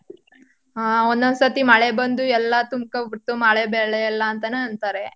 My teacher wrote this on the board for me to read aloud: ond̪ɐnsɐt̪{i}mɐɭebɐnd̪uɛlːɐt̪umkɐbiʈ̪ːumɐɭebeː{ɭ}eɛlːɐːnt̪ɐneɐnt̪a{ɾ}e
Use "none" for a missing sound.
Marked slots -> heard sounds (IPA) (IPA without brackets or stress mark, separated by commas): i, ɭ, ɾ